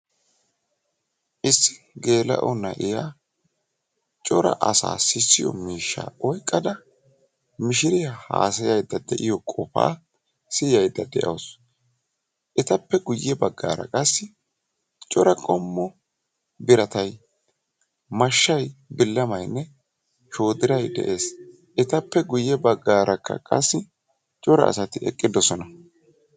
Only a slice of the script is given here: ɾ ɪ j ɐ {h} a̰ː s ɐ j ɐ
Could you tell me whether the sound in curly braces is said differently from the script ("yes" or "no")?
no